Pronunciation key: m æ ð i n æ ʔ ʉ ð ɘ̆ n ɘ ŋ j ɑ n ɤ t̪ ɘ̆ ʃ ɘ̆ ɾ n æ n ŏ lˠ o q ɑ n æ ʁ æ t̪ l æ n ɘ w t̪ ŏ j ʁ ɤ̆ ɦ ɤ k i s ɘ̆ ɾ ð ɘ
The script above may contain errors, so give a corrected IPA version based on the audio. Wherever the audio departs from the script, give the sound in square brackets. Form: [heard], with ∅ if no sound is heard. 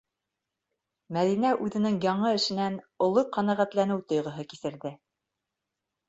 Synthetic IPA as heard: m æ ð i n æ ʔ ʉ ð ɘ̆ n ɘ ŋ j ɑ [ɴ] ɤ [∅] ɘ̆ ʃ ɘ̆ [∅] n æ n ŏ lˠ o q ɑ n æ ʁ æ t̪ l æ n ɘ w t̪ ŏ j ʁ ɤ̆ ɦ ɤ k i s ɘ̆ ɾ ð ɘ